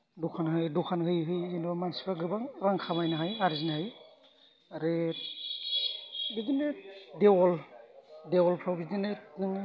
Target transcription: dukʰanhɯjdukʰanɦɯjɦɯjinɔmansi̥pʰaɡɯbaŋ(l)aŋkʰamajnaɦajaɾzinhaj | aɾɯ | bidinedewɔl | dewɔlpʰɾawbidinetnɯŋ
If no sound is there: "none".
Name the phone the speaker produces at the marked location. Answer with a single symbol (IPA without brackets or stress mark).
ɾ